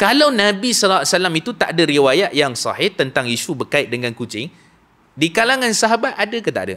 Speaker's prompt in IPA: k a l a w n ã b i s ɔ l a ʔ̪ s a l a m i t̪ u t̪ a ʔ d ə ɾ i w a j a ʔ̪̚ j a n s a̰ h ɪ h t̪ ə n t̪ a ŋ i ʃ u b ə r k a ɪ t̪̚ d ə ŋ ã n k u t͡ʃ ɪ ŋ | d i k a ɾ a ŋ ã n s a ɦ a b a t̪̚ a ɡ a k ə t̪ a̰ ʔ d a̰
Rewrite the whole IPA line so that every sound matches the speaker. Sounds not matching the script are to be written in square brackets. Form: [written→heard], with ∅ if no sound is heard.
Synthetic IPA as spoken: k a l a w n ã b i s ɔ l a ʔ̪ s a l a m i t̪ u t̪ a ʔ d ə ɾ i w a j a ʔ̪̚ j a [n→ŋ] s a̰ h ɪ h t̪ ə n t̪ a ŋ i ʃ u b ə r k a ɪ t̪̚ d ə ŋ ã n k u t͡ʃ ɪ ŋ | d i k a [ɾ→l] a ŋ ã n s a ɦ a b a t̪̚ a [ɡ→d] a k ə t̪ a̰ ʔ d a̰

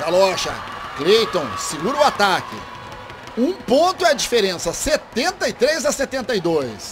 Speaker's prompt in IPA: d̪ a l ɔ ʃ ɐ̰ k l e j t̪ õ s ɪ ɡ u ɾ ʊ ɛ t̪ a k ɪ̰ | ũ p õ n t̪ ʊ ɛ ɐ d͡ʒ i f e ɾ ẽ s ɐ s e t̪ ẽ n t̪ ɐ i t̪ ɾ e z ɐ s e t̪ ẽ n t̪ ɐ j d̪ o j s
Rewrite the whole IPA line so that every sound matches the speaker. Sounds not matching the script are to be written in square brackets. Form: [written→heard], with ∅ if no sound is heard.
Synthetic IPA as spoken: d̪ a l ɔ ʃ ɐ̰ k l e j t̪ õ s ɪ ɡ u ɾ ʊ [ɛ→a] t̪ a k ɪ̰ | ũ p õ n t̪ ʊ ɛ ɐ d͡ʒ i f e ɾ ẽ s ɐ s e t̪ ẽ n t̪ ɐ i t̪ ɾ e z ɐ s e t̪ ẽ n t̪ ɐ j d̪ o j s

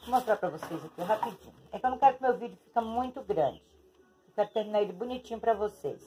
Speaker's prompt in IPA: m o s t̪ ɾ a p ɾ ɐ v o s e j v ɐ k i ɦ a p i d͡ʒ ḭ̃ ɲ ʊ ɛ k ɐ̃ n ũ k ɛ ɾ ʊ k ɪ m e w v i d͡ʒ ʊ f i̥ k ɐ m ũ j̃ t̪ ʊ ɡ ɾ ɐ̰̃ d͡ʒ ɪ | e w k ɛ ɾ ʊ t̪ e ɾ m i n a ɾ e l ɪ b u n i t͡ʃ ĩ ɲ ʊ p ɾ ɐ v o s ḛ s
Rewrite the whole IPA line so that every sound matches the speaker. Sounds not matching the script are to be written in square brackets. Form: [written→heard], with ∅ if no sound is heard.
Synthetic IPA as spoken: m o s t̪ ɾ a p ɾ ɐ v o s e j [v→z] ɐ k i ɦ a p i d͡ʒ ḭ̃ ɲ ʊ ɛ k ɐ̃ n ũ k ɛ ɾ ʊ k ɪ m e w v i d͡ʒ ʊ f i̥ k ɐ m ũ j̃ t̪ ʊ ɡ ɾ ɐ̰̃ d͡ʒ ɪ | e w k ɛ ɾ ʊ t̪ e ɾ m i n a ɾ e l ɪ b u n i t͡ʃ ĩ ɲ ʊ p ɾ ɐ v o s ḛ s

